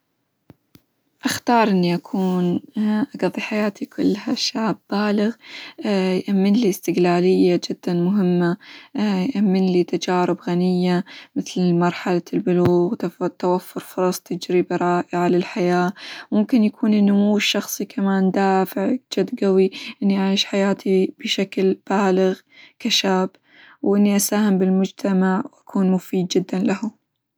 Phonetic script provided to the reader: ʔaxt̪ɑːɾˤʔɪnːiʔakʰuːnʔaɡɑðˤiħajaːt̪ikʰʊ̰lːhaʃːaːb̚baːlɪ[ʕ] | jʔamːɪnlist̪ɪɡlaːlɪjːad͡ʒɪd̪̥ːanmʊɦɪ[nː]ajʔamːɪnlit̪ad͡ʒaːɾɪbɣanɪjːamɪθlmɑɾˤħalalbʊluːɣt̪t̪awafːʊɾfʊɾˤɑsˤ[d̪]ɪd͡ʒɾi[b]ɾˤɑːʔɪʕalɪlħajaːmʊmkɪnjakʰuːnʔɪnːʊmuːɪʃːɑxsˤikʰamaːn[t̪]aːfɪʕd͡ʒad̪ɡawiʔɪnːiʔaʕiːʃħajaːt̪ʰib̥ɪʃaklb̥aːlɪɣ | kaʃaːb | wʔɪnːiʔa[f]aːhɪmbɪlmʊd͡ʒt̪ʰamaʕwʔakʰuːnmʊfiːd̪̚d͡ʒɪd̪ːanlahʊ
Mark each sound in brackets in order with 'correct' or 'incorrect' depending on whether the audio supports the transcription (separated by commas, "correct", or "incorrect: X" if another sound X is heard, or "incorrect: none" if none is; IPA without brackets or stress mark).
incorrect: ɣ, incorrect: mː, incorrect: t̪, correct, incorrect: d̪, incorrect: s